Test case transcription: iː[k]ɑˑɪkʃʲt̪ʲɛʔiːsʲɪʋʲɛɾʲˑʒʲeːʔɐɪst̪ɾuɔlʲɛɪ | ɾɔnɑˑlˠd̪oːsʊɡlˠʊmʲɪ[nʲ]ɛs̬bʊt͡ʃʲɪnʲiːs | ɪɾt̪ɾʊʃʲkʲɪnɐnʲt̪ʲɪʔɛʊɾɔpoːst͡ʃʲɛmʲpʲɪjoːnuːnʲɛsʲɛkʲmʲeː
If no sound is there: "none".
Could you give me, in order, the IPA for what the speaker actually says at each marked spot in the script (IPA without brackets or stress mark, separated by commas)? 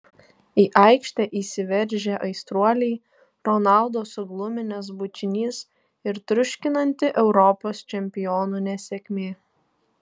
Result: ʔ, nʲ